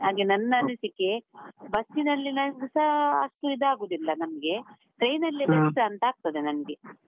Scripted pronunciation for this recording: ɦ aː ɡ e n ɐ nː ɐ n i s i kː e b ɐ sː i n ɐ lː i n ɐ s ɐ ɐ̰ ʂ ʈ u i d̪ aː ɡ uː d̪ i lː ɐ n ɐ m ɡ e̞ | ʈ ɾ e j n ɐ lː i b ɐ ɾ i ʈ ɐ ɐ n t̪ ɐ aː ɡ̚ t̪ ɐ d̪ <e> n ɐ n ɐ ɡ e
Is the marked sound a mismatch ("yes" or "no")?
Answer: no